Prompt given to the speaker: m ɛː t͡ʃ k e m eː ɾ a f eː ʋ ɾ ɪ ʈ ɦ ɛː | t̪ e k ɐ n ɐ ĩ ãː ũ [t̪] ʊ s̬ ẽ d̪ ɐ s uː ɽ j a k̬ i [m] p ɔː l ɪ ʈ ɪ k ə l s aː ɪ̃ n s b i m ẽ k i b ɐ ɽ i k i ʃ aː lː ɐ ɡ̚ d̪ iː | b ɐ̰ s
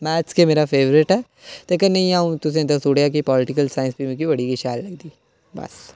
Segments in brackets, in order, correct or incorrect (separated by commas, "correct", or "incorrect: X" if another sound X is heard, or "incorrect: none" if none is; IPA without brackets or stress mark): correct, incorrect: none